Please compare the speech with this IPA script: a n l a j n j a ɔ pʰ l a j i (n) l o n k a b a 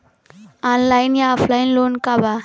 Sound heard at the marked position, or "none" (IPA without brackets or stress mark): n